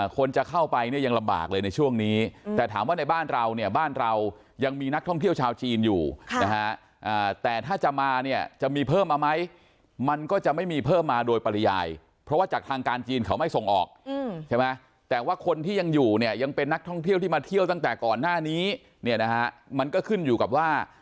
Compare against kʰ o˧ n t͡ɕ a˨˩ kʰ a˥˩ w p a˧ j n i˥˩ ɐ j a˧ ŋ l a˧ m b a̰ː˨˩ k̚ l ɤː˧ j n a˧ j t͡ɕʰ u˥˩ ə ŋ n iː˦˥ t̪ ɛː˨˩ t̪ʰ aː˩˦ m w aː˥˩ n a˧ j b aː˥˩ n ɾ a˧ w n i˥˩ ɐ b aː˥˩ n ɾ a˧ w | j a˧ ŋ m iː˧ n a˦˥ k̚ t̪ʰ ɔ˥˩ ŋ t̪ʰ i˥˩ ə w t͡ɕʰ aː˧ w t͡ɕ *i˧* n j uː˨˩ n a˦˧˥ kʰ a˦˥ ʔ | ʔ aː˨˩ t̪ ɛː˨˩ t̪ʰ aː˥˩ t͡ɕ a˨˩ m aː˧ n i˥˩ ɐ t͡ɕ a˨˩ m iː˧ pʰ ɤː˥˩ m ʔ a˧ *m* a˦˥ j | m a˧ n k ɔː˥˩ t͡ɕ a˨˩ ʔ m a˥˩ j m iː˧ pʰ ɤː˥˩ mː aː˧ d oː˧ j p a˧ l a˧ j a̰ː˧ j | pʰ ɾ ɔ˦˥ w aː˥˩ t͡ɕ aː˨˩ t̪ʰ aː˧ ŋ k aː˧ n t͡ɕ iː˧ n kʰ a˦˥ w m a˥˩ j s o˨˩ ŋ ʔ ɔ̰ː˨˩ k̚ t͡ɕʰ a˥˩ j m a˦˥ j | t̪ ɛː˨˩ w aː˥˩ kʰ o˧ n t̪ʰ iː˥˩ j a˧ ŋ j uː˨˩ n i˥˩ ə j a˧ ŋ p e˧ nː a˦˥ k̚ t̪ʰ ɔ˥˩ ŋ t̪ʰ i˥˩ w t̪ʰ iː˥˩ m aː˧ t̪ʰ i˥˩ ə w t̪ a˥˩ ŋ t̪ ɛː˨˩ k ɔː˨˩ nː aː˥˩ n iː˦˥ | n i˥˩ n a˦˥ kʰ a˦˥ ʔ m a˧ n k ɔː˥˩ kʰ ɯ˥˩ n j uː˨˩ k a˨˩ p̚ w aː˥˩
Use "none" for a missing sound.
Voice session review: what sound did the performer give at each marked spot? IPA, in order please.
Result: iː˧, m

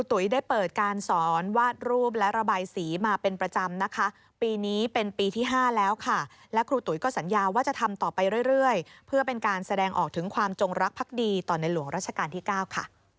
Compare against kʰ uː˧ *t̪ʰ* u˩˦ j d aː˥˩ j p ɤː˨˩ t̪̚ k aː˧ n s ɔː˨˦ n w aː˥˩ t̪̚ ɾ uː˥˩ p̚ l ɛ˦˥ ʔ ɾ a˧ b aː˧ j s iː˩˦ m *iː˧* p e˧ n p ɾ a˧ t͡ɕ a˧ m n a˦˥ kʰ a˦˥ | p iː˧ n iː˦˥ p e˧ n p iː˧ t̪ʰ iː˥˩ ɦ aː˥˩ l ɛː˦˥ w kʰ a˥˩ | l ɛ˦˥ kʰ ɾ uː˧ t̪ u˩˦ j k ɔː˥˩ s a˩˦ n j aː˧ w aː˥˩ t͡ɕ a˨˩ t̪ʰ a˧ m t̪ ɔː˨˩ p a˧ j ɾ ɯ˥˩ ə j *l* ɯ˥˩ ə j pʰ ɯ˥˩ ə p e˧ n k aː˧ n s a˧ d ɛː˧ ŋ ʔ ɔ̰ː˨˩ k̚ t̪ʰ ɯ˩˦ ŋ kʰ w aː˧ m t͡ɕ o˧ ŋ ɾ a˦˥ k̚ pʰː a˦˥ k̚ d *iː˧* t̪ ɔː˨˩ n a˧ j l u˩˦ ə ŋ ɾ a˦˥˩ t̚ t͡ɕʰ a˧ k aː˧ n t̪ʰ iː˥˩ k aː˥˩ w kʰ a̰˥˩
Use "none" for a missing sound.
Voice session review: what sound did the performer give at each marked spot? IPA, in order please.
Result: t̪, aː˧, ɾ, iː˧

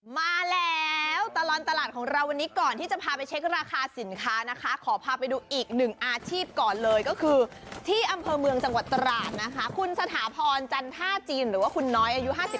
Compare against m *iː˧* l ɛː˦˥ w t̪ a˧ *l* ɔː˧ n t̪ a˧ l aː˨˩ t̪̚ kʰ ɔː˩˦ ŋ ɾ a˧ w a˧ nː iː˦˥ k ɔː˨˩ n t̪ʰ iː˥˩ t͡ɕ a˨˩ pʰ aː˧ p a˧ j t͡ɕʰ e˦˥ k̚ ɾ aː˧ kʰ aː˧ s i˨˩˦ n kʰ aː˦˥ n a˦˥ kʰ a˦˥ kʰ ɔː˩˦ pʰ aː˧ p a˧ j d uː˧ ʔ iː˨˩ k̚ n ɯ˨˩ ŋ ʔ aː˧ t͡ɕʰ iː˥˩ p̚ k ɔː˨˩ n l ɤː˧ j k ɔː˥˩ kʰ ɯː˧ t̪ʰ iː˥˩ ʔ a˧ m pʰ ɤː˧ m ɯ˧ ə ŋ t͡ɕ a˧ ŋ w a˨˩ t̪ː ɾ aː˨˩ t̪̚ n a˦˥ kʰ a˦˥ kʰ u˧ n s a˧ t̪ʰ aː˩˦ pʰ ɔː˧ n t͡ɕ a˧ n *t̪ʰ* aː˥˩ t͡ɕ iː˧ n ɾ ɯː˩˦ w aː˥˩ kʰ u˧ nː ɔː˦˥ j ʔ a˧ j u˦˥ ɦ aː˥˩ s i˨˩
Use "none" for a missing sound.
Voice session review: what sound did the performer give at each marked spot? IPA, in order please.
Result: aː˧, l, t̪ʰ

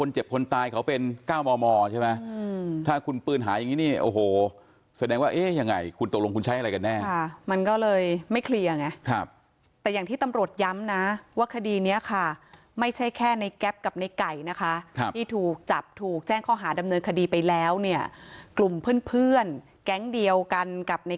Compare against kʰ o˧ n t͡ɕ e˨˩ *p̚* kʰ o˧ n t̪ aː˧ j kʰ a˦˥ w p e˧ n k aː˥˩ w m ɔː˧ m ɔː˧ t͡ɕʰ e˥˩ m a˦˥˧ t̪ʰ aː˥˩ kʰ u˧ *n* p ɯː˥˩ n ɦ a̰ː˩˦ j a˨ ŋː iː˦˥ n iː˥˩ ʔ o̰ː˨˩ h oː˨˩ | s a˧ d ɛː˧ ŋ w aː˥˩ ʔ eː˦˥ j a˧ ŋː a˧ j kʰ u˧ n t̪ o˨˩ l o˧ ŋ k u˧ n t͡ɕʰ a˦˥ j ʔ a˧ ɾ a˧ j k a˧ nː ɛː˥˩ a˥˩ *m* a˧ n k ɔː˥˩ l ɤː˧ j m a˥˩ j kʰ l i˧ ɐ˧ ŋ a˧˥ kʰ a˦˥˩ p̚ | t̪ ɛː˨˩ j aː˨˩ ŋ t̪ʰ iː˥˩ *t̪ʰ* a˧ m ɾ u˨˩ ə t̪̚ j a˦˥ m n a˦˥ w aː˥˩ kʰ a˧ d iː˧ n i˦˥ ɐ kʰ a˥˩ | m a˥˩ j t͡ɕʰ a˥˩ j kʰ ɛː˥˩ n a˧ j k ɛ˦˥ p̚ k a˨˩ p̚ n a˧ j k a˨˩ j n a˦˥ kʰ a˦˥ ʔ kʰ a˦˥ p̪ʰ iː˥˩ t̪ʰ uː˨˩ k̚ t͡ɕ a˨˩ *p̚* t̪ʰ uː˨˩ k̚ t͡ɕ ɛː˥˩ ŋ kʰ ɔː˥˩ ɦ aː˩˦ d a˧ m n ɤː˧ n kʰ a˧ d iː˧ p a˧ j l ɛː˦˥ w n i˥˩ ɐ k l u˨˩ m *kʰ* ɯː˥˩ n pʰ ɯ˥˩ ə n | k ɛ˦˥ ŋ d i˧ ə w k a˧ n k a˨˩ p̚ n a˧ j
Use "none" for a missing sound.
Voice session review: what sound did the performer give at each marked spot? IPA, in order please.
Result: p̚, n, m, t̪, p̚, pʰ

